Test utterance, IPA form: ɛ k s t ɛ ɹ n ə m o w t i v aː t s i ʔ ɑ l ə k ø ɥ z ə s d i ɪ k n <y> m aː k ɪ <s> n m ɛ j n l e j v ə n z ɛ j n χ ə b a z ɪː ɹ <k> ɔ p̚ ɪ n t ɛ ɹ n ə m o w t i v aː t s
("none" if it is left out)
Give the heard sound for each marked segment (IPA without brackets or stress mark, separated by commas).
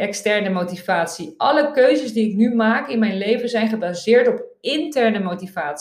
y, none, t